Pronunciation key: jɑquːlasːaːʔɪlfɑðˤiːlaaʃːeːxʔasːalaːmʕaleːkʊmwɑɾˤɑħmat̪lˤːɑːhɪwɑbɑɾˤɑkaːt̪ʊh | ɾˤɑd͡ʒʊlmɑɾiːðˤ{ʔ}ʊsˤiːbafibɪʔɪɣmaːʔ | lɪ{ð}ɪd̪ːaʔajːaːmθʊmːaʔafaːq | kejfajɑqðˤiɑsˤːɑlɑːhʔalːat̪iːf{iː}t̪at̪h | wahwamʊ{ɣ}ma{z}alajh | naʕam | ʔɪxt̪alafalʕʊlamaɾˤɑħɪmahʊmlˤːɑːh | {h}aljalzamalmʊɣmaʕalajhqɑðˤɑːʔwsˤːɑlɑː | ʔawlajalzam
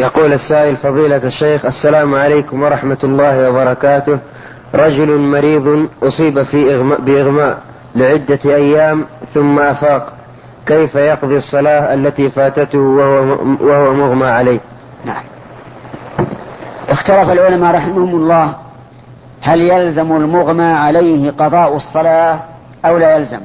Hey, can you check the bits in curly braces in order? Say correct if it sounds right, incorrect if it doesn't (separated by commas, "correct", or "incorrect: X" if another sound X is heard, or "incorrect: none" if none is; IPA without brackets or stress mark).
correct, incorrect: ʕ, incorrect: aː, correct, incorrect: ʕ, correct